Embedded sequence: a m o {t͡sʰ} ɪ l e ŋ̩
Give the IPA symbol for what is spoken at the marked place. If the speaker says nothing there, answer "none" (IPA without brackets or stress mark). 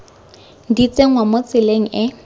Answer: t͡s